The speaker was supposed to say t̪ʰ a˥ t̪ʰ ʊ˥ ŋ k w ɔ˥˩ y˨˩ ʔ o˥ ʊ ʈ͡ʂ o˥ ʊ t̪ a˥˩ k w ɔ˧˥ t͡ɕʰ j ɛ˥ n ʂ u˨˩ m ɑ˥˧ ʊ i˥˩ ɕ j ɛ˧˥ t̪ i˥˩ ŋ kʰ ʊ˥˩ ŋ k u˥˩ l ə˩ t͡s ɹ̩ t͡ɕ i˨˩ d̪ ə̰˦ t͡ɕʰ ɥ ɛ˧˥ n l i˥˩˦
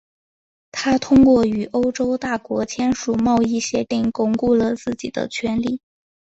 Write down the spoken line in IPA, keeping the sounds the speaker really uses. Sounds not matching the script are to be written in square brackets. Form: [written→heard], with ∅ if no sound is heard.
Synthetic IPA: t̪ʰ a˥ t̪ʰ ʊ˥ ŋ k w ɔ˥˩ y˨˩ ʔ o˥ ʊ ʈ͡ʂ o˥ ʊ t̪ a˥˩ k w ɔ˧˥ t͡ɕʰ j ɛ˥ n ʂ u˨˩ m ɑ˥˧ ʊ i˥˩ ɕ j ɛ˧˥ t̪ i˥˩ ŋ [kʰ→k] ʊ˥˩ ŋ k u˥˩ l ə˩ t͡s ɹ̩ t͡ɕ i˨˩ d̪ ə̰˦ t͡ɕʰ ɥ ɛ˧˥ n l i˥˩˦